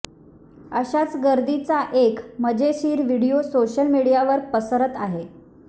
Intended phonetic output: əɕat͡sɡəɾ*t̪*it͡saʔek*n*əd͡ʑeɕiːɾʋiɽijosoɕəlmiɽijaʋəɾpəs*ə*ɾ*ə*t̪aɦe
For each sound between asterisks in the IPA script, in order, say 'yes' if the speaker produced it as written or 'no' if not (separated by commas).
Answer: no, no, yes, yes